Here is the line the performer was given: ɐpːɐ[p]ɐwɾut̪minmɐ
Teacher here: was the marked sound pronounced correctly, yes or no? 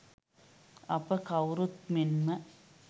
no